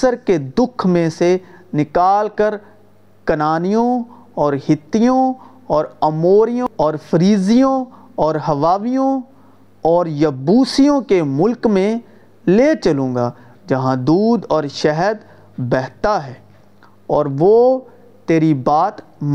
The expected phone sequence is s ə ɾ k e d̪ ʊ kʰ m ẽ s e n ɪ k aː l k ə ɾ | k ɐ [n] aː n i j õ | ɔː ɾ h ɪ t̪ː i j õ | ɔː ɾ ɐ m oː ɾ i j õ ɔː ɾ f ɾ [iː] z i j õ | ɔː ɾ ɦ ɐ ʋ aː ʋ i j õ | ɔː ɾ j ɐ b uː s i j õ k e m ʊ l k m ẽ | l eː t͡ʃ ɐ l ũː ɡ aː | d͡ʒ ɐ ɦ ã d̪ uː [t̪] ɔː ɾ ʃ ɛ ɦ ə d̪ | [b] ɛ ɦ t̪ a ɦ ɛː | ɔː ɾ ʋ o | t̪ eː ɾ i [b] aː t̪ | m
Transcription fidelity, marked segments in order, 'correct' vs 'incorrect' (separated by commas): correct, correct, incorrect, correct, correct